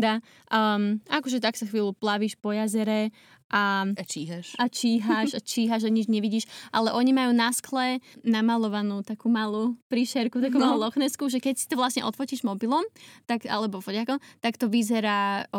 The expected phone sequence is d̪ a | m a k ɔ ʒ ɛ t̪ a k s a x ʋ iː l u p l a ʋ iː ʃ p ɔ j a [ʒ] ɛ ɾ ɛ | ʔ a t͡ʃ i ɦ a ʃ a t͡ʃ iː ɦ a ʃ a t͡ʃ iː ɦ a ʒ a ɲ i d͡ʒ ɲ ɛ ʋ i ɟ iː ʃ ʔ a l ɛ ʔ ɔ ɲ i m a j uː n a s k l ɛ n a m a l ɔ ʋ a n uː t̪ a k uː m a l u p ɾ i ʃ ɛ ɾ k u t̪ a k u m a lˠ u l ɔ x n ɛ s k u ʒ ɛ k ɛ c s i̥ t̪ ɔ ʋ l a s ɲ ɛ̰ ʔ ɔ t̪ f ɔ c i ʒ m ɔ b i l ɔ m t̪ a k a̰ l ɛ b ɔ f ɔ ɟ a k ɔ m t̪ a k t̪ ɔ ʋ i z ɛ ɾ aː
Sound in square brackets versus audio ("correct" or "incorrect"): incorrect